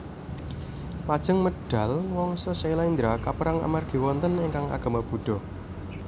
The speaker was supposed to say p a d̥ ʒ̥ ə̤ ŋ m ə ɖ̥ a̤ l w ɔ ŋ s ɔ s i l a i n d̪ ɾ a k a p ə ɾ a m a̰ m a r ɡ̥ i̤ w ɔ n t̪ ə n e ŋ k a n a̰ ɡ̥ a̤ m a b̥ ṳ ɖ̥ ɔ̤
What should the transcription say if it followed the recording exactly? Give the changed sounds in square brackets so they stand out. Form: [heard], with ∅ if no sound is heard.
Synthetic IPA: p a d̥ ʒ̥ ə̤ ŋ m ə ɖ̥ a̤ l w ɔ ŋ s ɔ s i l a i n d̪ ɾ a k a p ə ɾ a [ŋ] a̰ m a r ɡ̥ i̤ w ɔ n t̪ ə n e ŋ k a [ŋ] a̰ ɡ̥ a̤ m a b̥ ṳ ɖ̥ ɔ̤